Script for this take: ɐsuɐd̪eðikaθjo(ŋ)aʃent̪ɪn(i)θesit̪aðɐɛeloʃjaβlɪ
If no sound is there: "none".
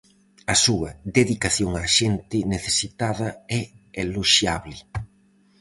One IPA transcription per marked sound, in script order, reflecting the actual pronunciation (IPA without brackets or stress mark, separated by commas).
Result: ŋ, e